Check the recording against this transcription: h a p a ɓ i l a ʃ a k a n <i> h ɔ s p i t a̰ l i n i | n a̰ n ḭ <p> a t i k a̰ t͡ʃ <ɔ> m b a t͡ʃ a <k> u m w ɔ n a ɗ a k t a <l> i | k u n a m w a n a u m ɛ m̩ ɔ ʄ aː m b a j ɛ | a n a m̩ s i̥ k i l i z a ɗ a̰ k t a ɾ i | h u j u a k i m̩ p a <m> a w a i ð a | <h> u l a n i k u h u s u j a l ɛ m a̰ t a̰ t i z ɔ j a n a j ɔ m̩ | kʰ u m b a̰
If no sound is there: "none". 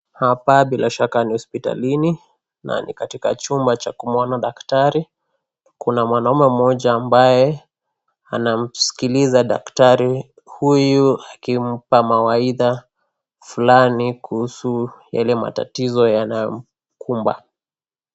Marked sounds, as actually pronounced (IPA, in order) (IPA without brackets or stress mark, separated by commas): i, k, u, k, ɾ, m, f